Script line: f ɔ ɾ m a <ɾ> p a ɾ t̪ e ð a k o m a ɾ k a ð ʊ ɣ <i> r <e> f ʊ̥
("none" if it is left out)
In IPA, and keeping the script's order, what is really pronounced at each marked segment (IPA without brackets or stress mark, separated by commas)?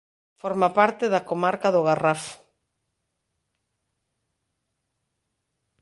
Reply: none, a, a